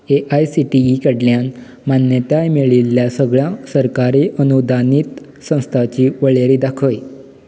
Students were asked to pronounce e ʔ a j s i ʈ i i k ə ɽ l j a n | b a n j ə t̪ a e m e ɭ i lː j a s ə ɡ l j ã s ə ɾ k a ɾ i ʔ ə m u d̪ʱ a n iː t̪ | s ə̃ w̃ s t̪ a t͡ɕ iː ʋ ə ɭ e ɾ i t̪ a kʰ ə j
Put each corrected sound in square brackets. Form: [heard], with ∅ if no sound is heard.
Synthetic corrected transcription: e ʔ a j s i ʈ i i k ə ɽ l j a n | [m] a n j ə t̪ a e m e ɭ i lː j a s ə ɡ [ɭ] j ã s ə ɾ k a ɾ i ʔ ə [n] u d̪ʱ a n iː t̪ | s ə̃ w̃ s [t̪ʰ] a t͡ɕ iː ʋ ə ɭ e ɾ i [d̪] a kʰ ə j

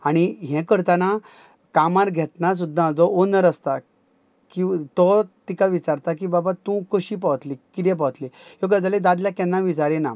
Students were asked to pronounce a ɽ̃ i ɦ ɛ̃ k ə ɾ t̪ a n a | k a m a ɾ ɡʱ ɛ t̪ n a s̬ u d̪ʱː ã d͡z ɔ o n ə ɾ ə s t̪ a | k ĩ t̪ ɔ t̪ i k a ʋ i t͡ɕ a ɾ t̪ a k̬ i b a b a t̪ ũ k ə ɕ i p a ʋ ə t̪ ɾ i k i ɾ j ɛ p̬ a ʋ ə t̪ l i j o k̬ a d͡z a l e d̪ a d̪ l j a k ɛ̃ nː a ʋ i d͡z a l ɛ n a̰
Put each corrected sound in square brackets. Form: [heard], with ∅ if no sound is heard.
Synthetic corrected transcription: a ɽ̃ i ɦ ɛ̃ k ə ɾ t̪ a n a | k a m a ɾ ɡʱ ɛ t̪ n a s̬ u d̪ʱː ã d͡z ɔ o n ə ɾ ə s t̪ a | k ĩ t̪ ɔ t̪ i k a ʋ i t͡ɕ a ɾ t̪ a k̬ i b a b a t̪ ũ k ə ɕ i p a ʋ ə t̪ [l] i k i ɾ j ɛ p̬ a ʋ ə t̪ l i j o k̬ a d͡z a l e d̪ a d̪ l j a k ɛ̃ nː a ʋ i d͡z a [ɾ] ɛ n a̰

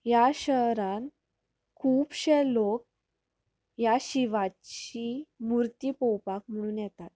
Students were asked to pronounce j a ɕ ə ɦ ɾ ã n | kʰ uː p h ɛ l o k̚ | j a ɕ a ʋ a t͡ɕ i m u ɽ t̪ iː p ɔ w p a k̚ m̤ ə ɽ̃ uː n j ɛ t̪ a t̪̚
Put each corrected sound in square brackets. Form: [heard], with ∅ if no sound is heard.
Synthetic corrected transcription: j a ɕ ə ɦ ɾ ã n | kʰ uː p [ɕ] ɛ l o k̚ | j a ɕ [i] ʋ a t͡ɕ i m u [ɾ] t̪ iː p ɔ w p a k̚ m̤ ə ɽ̃ uː n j ɛ t̪ a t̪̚

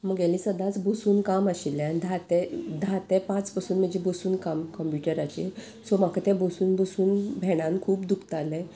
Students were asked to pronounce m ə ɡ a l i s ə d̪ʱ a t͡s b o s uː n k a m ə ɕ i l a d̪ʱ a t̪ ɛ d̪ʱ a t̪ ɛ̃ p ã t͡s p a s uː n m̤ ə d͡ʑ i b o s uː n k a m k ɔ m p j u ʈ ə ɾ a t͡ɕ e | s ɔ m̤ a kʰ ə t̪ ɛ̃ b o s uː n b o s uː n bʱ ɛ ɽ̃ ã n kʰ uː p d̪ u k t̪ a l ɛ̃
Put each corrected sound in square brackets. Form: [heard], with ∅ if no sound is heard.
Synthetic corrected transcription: m ə ɡ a l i s ə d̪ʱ a t͡s b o s uː n k a m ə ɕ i l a d̪ʱ a t̪ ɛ d̪ʱ a t̪ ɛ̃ p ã t͡s p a s uː n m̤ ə d͡ʑ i b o s uː n k a m k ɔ m p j u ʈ ə ɾ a t͡ɕ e | s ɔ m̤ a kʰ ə t̪ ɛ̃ b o s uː n b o s uː n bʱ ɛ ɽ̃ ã n kʰ uː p d̪ u k t̪ a l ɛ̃

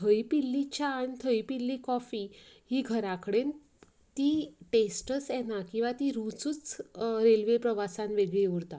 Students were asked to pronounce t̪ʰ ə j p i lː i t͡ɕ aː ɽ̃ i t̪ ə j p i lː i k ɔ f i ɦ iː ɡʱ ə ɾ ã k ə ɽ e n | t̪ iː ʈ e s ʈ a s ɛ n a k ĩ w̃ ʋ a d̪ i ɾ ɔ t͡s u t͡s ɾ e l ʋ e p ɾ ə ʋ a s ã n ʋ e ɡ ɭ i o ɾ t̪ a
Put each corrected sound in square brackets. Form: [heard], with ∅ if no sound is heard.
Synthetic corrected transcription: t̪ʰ ə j p i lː i t͡ɕ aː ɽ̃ i [t̪ʰ] ə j p i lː i k ɔ f i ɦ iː ɡʱ ə ɾ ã k ə ɽ e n | t̪ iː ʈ e s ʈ [ə] s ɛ n a k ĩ w̃ ʋ a [t̪] i ɾ [u] t͡s u t͡s ɾ e l ʋ e p ɾ ə ʋ a s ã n ʋ e ɡ ɭ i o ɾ t̪ a

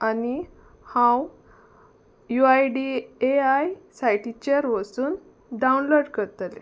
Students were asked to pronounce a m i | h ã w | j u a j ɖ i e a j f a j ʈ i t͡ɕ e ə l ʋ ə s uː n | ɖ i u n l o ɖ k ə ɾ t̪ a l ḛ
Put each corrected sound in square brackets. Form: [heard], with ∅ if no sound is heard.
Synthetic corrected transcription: a [n] i | h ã w | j u a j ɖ i e a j [s] a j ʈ i t͡ɕ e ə [ɾ] ʋ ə s uː n | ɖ [a] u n l o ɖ k ə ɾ t̪ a l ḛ

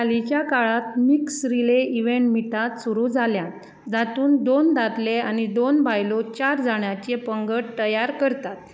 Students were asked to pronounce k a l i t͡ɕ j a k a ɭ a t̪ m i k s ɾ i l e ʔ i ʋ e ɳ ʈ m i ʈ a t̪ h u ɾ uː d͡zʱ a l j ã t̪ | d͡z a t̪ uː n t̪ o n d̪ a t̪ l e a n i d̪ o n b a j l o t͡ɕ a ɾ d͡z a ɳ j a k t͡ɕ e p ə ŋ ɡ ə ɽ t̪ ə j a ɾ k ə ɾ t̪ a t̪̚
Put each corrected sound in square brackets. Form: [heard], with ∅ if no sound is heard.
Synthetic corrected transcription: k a l i t͡ɕ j a k a ɭ a t̪ m i k s ɾ i l e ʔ i ʋ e ɳ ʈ m i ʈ a t̪ [s] u ɾ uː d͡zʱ a l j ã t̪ | d͡z a t̪ uː n [d̪] o n d̪ a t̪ l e a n i d̪ o n b a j l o t͡ɕ a ɾ d͡z a ɳ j a [∅] t͡ɕ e p ə ŋ ɡ ə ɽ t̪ ə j a ɾ k ə ɾ t̪ a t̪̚

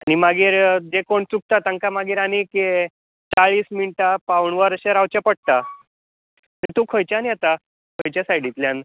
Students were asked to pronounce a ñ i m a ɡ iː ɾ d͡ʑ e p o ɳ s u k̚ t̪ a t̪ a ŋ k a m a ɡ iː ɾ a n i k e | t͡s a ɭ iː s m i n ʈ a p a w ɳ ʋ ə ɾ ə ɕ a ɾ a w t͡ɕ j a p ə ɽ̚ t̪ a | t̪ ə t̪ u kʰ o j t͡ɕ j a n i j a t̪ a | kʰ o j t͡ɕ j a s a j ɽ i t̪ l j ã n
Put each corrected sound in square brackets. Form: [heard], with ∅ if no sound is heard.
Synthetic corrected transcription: a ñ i m a ɡ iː ɾ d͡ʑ e [k] o ɳ [t͡s] u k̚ t̪ a t̪ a ŋ k a m a ɡ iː ɾ a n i k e | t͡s a ɭ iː s m i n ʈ a p a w ɳ ʋ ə ɾ ə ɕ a ɾ a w t͡ɕ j a p ə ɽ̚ t̪ a | t̪ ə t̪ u kʰ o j t͡ɕ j a n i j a t̪ a | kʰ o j t͡ɕ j a s a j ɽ i t̪ l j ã n

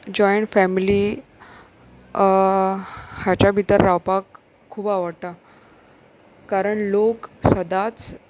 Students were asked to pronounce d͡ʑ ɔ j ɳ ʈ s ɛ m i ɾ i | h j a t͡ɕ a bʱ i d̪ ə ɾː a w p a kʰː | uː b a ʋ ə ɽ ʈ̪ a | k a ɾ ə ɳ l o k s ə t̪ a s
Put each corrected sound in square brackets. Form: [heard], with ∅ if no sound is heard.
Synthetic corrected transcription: d͡ʑ ɔ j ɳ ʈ [f] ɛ m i [l] i | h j a t͡ɕ a bʱ i [t̪] ə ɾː a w p a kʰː | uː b a ʋ ə ɽ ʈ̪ a | k a ɾ ə ɳ l o k s ə [d̪] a [t͡s]

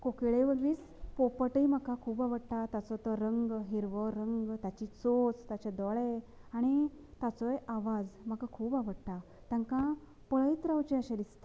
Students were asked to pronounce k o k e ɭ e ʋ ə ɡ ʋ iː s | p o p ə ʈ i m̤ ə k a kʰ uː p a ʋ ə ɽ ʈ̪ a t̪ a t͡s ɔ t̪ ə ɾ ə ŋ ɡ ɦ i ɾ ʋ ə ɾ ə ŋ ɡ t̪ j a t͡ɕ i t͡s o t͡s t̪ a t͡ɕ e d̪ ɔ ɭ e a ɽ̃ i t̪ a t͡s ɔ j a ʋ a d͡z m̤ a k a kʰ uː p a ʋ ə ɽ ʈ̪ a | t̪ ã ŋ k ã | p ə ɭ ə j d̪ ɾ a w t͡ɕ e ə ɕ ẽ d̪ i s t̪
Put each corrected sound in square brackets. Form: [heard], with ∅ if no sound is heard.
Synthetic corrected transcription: k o k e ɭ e ʋ ə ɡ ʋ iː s | p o p ə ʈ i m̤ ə k a kʰ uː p a ʋ ə ɽ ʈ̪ a t̪ a t͡s ɔ t̪ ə ɾ ə ŋ ɡ ɦ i ɾ ʋ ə ɾ ə ŋ ɡ t̪ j a t͡ɕ i t͡s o t͡s t̪ a t͡ɕ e d̪ ɔ ɭ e a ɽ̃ i t̪ a t͡s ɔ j a ʋ a d͡z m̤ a k a kʰ uː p a ʋ ə ɽ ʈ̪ a | t̪ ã ŋ k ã | p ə ɭ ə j [t̪] ɾ a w t͡ɕ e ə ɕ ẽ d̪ i s t̪

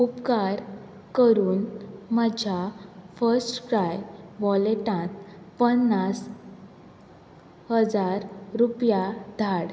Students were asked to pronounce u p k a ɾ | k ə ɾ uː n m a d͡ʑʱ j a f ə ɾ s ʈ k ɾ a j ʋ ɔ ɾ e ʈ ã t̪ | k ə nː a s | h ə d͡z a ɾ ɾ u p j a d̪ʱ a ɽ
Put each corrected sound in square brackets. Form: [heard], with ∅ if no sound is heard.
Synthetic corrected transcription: u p k a ɾ | k ə ɾ uː n m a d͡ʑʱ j a f ə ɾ s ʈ k ɾ a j ʋ ɔ [l] e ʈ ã t̪ | [p] ə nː a s | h ə d͡z a ɾ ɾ u p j a d̪ʱ a ɽ

